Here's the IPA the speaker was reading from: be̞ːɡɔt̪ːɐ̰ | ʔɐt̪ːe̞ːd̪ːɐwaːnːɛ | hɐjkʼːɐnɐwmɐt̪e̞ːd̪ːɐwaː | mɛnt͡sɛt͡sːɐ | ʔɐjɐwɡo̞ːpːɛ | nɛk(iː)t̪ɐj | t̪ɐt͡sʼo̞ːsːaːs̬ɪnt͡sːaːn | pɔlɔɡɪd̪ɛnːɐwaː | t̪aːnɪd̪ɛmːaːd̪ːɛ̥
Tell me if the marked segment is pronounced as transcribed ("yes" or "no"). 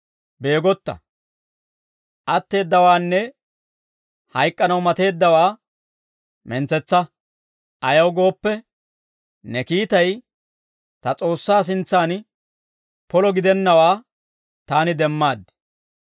yes